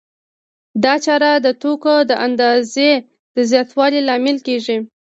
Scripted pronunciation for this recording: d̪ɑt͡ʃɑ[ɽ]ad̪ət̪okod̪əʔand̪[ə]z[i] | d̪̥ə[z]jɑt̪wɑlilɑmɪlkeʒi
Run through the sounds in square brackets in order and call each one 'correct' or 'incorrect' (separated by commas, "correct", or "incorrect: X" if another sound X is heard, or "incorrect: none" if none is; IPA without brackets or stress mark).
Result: incorrect: ɾ, incorrect: ɑ, incorrect: e, correct